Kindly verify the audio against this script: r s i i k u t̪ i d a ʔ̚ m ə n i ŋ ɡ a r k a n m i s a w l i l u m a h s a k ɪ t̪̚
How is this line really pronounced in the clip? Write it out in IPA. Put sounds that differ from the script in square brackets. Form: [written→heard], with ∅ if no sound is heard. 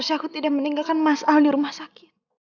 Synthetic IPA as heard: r s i [i→a] k u t̪ i d a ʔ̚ m ə n i ŋ ɡ a [r→l] k a n m [i→a] s a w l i [l→ɾ] u m a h s a k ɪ t̪̚